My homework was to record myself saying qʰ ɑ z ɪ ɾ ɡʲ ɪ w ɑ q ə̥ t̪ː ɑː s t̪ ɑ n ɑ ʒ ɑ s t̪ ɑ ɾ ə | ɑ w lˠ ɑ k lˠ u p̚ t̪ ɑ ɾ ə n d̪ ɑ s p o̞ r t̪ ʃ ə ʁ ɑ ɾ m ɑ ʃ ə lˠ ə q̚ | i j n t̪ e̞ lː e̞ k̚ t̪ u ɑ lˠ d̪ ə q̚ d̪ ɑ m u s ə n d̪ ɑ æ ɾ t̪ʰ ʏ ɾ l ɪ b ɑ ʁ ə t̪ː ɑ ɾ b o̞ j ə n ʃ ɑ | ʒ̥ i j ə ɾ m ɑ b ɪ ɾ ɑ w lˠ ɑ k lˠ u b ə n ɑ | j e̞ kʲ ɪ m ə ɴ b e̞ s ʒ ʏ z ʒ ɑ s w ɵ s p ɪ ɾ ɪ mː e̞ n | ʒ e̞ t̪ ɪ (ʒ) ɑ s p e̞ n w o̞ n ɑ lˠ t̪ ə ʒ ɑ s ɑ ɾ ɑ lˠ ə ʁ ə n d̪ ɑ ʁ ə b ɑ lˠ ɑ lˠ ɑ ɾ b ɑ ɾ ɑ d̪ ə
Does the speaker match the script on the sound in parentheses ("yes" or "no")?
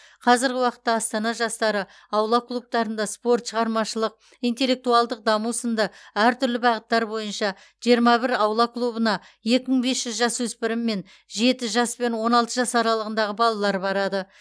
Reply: yes